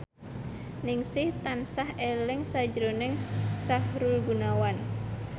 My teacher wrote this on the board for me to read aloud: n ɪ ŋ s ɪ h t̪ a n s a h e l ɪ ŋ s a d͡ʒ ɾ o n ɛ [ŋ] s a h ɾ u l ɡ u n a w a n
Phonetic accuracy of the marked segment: correct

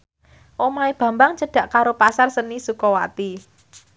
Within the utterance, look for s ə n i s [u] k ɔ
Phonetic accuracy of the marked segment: correct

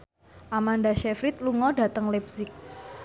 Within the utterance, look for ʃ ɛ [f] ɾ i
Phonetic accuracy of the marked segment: correct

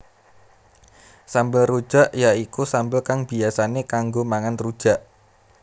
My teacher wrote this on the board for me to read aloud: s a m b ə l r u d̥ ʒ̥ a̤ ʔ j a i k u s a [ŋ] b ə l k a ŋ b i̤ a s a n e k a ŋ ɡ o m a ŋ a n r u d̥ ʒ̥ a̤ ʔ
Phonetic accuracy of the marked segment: incorrect: m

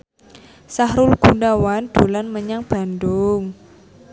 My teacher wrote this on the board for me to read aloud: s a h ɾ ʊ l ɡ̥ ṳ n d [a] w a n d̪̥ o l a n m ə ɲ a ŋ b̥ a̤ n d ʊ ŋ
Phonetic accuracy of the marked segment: correct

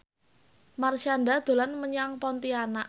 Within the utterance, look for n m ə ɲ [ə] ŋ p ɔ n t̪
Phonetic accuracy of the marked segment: incorrect: a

